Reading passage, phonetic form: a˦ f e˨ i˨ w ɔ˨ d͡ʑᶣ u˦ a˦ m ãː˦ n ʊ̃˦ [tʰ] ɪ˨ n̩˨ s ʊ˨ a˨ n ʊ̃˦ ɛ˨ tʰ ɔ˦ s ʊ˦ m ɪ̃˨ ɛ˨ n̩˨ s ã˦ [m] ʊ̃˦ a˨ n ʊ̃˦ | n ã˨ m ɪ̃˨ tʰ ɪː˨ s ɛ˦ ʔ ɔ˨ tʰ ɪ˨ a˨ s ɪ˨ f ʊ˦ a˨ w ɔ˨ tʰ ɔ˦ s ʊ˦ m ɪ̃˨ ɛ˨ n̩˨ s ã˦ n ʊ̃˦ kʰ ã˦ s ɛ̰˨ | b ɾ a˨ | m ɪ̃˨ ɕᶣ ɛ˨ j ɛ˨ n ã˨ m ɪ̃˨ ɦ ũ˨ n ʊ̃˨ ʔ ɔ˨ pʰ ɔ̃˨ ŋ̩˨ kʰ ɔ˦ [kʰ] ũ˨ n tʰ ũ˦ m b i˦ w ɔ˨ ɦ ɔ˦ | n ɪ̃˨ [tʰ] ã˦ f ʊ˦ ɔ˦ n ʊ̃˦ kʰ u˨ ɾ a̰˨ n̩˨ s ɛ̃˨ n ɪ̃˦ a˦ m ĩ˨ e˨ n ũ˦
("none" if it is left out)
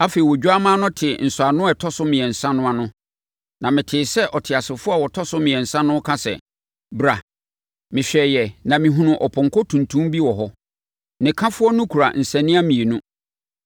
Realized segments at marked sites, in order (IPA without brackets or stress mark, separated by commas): tʰ, n, tʰ, kʰ